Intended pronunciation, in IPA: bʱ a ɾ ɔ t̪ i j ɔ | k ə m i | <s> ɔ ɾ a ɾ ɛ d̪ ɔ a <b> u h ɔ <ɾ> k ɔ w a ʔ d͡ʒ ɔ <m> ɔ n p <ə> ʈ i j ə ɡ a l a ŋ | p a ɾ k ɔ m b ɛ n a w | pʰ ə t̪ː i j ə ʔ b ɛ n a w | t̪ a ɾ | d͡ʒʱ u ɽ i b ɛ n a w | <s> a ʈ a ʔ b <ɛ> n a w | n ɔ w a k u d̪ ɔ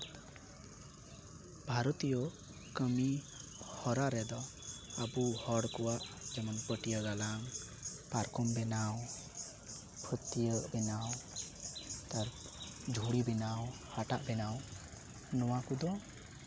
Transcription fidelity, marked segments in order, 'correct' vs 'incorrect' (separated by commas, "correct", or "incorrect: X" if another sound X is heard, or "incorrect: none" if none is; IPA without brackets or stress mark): incorrect: h, correct, incorrect: ɽ, correct, correct, incorrect: h, correct